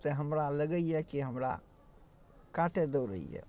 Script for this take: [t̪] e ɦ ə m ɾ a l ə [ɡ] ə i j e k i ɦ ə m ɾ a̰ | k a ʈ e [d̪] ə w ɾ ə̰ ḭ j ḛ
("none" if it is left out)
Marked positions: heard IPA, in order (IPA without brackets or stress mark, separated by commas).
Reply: t̪, ɡ, d̪